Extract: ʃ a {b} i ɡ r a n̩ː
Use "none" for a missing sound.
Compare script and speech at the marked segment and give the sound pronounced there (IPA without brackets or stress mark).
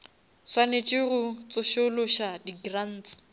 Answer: d